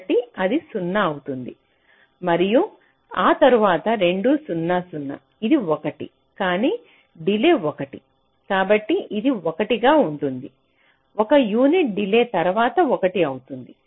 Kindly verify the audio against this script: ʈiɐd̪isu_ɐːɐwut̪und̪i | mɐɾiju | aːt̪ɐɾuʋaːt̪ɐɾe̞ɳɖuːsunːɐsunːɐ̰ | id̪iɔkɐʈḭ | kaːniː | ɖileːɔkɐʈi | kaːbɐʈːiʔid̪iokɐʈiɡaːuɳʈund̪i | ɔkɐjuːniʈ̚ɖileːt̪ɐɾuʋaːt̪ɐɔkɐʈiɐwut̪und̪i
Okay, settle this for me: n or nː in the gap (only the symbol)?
nː